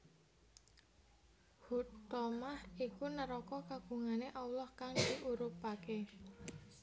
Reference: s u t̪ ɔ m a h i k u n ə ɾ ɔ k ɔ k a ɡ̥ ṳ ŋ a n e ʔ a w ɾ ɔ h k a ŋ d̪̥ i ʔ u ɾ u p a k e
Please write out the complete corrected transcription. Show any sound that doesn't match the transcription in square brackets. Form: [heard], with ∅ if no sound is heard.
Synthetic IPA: [h] u t̪ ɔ m a h i k u n ə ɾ ɔ k ɔ k a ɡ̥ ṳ ŋ a n e ʔ a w [l] ɔ h k a ŋ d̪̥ i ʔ u ɾ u p a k e